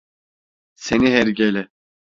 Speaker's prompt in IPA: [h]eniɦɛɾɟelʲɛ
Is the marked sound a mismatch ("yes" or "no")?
yes